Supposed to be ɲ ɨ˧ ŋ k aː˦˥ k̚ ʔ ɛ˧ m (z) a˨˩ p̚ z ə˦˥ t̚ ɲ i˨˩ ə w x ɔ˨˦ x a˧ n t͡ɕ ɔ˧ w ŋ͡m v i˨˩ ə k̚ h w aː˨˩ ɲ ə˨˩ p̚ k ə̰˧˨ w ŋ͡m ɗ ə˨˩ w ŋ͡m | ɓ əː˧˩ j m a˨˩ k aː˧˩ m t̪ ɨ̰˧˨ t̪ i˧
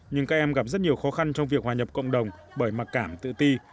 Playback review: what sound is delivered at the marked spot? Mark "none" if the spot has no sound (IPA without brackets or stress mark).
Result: ɣ